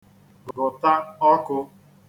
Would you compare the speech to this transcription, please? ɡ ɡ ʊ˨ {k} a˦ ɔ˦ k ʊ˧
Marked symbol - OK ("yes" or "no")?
no